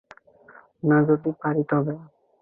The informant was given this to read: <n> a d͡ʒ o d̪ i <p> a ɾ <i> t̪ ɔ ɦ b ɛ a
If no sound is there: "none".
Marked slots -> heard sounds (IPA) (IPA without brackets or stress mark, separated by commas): n, p, i